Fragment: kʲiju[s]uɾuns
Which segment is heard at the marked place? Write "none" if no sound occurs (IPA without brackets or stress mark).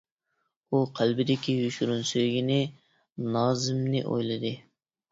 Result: ʃ